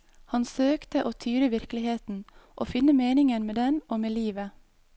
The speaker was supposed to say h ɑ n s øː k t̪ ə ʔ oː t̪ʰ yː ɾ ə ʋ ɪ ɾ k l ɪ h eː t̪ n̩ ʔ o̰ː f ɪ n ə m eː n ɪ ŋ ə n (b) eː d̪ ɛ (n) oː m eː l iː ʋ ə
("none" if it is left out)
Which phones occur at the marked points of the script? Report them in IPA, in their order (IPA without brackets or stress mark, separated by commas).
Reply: m, n